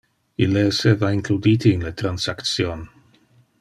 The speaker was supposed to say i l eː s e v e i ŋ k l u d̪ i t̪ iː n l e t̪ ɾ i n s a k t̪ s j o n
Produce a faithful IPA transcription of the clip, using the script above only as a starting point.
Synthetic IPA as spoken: i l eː s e v a i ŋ k l u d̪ i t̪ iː n l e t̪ ɾ a n s a k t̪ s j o n